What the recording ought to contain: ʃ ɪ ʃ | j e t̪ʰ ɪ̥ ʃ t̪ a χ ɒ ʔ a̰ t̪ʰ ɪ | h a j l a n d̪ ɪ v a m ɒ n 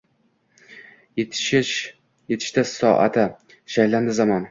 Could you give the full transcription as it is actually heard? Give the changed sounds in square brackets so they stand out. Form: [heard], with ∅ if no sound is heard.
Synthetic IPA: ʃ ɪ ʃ | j e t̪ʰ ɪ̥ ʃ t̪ a [s] ɒ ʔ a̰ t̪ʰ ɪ | [ʃ] a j l a n d̪ ɪ [z] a m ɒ n